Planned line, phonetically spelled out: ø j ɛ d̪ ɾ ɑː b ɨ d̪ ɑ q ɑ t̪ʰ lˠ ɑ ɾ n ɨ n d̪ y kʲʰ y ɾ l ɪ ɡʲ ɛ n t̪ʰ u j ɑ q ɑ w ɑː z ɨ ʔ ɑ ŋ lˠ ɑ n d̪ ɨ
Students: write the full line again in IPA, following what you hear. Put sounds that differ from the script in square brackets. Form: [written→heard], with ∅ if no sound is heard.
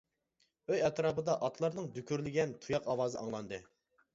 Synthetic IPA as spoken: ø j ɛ [d̪→t̪] ɾ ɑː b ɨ d̪ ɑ [q→ʔ] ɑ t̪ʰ lˠ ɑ ɾ n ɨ [n→ŋ] d̪ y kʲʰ y ɾ l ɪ ɡʲ ɛ n t̪ʰ u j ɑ q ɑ w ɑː z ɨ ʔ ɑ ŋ lˠ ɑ n d̪ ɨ